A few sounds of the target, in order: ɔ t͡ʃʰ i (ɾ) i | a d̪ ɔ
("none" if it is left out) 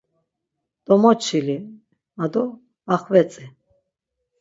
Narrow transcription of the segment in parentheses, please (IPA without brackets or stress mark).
l